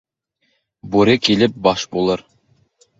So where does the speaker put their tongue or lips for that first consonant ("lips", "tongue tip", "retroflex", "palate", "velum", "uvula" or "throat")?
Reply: lips